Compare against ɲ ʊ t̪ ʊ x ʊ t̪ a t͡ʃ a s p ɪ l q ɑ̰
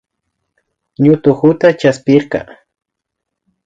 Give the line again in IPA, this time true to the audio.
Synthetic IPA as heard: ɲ ʊ t̪ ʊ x ʊ t̪ a t͡ʃ a s p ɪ ɾ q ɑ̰